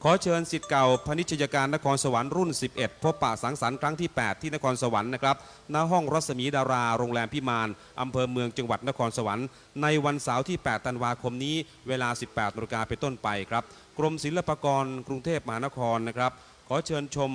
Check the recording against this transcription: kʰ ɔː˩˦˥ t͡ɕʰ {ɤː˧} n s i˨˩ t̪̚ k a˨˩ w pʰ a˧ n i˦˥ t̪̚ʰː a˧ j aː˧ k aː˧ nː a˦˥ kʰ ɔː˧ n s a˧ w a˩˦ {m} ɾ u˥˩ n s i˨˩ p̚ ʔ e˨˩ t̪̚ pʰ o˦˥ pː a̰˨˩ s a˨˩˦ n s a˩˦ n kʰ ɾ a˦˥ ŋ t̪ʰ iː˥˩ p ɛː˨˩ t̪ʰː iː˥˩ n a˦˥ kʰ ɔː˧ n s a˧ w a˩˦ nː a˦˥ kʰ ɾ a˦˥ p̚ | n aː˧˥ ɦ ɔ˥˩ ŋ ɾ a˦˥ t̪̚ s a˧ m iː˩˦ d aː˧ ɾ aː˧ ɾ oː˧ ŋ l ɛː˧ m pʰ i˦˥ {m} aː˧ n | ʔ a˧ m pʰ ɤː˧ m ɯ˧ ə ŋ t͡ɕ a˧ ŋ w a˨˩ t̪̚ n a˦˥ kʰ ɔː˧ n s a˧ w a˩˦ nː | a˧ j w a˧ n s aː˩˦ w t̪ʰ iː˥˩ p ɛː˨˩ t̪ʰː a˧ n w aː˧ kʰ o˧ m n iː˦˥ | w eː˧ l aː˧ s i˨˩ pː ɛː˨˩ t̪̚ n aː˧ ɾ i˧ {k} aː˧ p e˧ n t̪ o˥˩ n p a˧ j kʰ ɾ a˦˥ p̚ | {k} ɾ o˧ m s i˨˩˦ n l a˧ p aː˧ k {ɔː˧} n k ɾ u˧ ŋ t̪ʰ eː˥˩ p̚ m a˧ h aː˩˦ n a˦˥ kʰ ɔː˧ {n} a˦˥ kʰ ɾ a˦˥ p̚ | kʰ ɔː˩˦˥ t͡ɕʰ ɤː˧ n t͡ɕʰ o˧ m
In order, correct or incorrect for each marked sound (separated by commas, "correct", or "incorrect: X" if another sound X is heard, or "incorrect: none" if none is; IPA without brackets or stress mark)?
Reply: correct, incorrect: n, correct, correct, correct, correct, incorrect: nː